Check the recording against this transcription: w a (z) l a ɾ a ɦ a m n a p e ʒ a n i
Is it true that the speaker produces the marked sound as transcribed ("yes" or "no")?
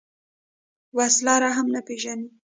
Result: no